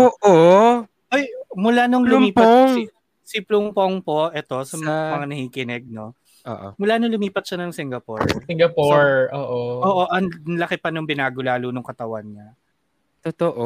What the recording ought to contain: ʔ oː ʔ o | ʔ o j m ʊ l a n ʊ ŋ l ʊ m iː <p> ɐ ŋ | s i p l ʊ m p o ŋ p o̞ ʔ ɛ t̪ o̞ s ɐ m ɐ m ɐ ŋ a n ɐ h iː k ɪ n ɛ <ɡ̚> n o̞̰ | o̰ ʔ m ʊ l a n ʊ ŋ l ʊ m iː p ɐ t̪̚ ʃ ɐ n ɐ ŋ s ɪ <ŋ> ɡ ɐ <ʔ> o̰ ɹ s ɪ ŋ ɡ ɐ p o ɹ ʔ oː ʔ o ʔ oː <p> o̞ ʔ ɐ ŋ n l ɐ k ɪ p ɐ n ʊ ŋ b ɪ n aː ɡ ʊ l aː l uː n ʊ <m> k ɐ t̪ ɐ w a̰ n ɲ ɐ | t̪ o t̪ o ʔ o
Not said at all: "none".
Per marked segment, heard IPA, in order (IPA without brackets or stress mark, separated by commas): p, ɡ̚, ŋ, p, ʔ, ŋ